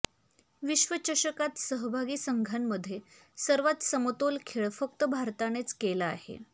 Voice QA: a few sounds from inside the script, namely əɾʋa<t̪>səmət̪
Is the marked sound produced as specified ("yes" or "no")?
yes